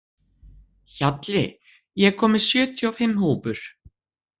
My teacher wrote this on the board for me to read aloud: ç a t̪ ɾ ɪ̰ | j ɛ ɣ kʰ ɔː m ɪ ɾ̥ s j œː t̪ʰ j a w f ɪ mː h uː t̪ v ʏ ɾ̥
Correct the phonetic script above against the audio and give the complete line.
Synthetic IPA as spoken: ç a t̪ l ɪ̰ | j ɛ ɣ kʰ ɔː m ɪ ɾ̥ s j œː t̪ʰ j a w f ɪ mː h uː v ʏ ɾ̥